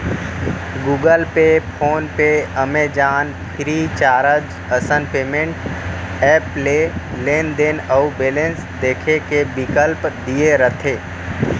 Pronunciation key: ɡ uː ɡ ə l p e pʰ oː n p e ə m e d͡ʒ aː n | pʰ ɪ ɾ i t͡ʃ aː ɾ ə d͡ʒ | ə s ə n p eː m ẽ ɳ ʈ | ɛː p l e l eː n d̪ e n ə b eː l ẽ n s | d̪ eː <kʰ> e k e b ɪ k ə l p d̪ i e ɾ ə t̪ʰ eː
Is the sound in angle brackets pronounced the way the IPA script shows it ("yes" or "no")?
yes